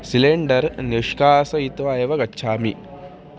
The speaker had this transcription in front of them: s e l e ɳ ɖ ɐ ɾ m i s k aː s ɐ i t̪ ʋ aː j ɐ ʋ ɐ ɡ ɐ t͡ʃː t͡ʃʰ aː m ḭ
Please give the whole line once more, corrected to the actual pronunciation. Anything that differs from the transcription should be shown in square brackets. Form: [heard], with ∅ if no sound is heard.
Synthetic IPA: s [i] l e ɳ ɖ ɐ ɾ [n] i [ʂ] k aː s ɐ i t̪ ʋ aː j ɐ ʋ ɐ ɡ ɐ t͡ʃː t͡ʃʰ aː m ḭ

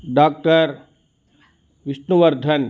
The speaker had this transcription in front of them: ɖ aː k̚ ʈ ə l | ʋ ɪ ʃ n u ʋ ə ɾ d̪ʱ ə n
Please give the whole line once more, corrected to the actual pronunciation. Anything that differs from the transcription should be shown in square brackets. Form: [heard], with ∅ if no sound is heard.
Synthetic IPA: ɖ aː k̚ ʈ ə [ɾ] | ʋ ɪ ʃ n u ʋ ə ɾ d̪ʱ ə n

